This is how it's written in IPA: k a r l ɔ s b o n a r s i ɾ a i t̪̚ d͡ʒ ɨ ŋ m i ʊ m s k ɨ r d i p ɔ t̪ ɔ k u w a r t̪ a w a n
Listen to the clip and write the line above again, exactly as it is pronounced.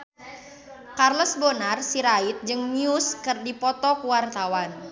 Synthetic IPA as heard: k a r l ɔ s b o n a r s i ɾ a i t̪̚ d͡ʒ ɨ ŋ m i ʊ s k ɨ r d i p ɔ t̪ ɔ k u w a r t̪ a w a n